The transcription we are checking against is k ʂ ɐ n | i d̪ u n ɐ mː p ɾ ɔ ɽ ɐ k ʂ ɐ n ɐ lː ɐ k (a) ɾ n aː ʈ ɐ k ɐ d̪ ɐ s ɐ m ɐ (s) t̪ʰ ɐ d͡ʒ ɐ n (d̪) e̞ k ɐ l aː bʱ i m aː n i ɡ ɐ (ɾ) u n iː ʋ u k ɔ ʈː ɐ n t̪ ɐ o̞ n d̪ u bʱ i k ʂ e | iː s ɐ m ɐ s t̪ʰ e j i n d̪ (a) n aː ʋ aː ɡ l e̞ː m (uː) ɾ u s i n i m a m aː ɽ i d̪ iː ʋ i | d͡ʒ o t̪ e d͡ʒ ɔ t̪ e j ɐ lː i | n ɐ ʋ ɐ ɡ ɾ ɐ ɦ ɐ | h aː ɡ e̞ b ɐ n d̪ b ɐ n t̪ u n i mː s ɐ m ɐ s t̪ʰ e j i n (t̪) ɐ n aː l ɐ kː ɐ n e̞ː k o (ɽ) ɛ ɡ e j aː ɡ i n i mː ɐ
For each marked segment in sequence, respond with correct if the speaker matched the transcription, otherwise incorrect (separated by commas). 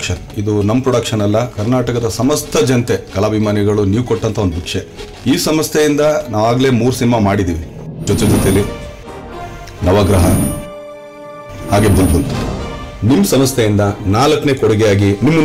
incorrect, correct, incorrect, incorrect, incorrect, correct, incorrect, correct